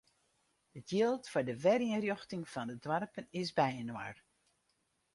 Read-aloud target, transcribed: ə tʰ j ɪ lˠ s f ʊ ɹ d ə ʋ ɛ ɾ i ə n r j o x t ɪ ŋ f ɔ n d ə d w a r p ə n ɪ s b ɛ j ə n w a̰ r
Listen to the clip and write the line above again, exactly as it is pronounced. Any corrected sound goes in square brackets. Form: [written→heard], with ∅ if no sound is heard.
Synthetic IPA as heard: ə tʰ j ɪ lˠ [s→t] f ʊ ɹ d ə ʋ ɛ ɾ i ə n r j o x t ɪ ŋ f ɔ n d ə d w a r p ə n ɪ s b ɛ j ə n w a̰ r